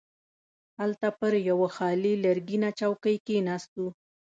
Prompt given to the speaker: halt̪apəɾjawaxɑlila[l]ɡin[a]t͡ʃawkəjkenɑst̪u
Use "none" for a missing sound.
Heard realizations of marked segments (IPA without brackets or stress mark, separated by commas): ɾ, a